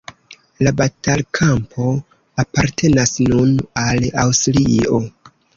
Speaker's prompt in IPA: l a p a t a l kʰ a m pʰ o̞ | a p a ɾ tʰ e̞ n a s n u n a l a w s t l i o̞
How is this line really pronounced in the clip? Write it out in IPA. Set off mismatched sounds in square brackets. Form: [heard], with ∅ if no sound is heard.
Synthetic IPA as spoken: l a [b] a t a l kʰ a m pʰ o̞ | a p a ɾ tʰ e̞ n a s n u n a l a w s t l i o̞